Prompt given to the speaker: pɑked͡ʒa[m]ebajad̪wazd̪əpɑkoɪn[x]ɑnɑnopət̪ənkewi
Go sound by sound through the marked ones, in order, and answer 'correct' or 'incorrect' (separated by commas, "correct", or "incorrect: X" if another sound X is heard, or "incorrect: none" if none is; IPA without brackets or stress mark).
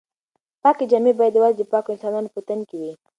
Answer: correct, incorrect: s